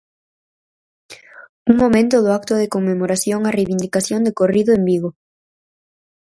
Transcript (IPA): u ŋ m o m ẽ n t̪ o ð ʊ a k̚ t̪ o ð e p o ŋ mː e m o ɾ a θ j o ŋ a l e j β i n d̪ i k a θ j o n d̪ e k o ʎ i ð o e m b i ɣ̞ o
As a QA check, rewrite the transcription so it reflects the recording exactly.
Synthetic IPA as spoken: u ŋ m o m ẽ n t̪ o ð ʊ a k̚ t̪ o ð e k o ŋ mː e m o ɾ a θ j o ŋ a r e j β i n d̪ i k a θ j o n d̪ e k o r i ð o e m b i ɣ̞ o